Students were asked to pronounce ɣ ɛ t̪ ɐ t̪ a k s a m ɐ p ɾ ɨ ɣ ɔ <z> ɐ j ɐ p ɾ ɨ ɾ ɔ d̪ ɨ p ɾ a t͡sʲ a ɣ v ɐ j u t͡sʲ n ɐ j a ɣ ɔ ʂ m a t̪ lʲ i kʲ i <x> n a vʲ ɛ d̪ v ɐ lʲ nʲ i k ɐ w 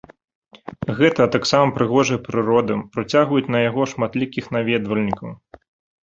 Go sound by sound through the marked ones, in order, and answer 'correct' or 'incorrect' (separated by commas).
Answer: incorrect, correct